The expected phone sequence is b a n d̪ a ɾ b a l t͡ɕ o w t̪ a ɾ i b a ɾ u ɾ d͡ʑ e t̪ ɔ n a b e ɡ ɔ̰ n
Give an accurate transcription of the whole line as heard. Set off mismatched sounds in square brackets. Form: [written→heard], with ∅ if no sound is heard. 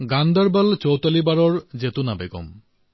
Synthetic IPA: [b→ɡ] a n d̪ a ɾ b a l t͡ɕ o w t̪ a [ɾ→l] i b a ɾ [u→ɔ] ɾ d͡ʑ e t̪ [ɔ→u] n a b e ɡ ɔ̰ [n→m]